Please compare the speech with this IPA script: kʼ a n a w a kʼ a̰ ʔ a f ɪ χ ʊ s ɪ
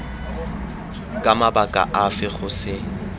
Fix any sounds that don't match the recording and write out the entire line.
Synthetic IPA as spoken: kʼ a m a b a kʼ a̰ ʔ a f ɪ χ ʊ s ɪ